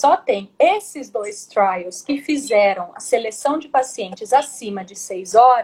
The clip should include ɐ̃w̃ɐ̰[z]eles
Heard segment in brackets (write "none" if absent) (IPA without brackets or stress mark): s